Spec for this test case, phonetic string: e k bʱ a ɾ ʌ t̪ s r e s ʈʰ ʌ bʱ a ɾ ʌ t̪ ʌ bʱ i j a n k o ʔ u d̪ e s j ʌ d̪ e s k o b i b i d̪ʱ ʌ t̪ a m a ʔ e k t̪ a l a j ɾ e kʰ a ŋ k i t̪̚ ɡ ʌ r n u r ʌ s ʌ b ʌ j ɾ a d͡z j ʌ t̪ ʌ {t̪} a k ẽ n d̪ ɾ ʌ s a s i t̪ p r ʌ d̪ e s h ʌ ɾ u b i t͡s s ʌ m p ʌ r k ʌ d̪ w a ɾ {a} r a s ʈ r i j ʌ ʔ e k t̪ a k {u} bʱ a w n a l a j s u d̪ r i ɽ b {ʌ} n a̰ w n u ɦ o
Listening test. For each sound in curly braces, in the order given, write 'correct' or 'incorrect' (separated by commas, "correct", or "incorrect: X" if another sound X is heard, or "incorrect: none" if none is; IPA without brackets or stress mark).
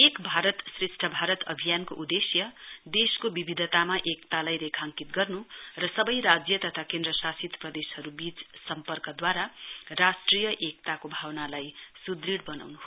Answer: incorrect: t̪ʰ, correct, incorrect: o, correct